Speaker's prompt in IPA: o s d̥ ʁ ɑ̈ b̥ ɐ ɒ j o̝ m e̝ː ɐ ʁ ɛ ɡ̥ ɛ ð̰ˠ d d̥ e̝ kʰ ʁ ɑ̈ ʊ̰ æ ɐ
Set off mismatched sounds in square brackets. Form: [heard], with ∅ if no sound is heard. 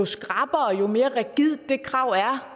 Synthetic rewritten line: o s [ɡ̥] ʁ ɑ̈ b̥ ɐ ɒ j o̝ m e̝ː ɐ ʁ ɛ ɡ̥ [i] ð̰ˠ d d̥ e̝ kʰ ʁ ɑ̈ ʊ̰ æ ɐ